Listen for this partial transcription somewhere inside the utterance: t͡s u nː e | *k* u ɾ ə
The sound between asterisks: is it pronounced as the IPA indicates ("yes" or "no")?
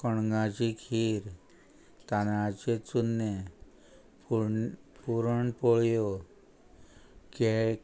no